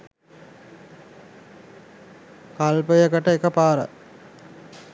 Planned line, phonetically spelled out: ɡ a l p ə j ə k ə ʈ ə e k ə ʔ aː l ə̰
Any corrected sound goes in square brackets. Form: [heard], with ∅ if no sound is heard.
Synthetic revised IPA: [k] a l p ə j ə k ə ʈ ə e k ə [p] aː [ɾ] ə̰